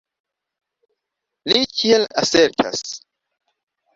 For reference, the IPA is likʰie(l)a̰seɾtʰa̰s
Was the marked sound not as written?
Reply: no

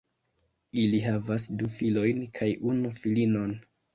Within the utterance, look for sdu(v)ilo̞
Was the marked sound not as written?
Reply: yes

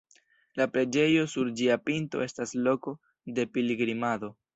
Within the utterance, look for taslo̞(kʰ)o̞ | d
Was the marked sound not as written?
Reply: yes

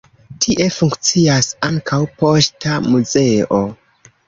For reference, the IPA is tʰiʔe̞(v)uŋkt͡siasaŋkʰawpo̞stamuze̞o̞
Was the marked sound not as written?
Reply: yes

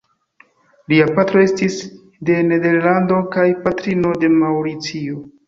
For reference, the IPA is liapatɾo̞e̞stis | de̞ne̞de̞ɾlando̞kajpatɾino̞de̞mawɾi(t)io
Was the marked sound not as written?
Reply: yes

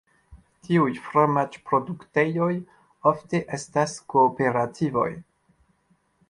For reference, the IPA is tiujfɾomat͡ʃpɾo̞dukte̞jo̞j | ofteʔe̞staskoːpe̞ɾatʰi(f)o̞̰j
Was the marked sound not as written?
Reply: yes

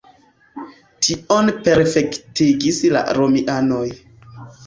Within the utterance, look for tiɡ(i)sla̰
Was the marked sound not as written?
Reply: no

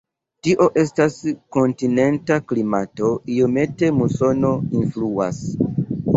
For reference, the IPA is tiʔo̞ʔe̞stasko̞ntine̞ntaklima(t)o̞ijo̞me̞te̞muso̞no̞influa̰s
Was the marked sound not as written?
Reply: no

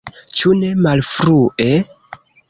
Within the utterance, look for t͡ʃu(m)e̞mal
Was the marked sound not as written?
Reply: yes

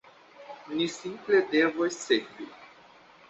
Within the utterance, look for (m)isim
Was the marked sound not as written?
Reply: yes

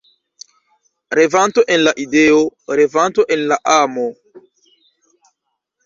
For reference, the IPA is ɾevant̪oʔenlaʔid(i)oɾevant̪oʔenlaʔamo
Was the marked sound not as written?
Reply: yes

